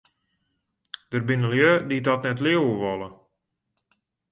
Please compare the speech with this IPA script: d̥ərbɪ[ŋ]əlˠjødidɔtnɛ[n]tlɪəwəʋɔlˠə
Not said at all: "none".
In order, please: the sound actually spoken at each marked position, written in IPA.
n, none

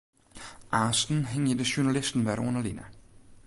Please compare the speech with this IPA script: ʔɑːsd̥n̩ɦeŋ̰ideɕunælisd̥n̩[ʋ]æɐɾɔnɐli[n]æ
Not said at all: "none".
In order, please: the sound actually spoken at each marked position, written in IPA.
ʋ, n

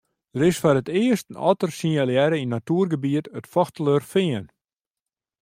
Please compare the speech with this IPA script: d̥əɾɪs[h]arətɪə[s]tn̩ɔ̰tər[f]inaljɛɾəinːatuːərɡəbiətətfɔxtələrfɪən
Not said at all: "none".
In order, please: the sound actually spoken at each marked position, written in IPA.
f, s, s

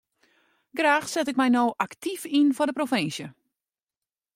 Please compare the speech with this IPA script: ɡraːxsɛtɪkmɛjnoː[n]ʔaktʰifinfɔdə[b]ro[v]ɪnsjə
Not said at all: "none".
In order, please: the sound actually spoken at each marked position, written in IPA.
none, p, f

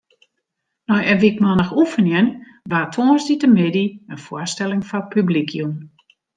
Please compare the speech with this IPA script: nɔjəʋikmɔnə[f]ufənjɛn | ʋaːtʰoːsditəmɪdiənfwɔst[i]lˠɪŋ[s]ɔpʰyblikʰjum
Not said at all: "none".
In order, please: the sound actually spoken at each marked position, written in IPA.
x, ɛ, f

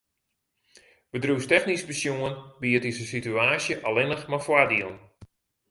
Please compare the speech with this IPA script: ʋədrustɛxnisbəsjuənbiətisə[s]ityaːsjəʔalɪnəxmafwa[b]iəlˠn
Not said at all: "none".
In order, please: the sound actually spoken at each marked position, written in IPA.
s, d

